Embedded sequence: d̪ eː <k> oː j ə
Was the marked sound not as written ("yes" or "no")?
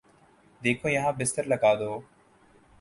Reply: yes